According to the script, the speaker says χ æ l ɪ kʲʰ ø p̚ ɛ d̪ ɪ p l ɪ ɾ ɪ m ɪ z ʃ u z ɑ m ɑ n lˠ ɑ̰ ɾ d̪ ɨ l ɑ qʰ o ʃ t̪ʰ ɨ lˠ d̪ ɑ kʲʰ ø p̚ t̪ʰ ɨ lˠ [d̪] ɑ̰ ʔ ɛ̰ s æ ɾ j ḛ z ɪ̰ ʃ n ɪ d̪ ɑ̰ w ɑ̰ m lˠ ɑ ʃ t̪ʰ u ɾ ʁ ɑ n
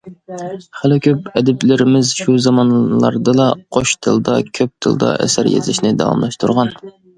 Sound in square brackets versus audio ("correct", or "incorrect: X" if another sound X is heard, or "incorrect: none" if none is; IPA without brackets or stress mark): correct